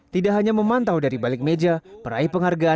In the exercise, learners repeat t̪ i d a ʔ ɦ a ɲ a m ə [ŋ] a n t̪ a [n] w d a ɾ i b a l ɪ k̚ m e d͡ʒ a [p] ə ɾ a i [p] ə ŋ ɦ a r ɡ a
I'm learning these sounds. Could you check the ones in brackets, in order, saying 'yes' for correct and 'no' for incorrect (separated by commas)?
no, no, yes, yes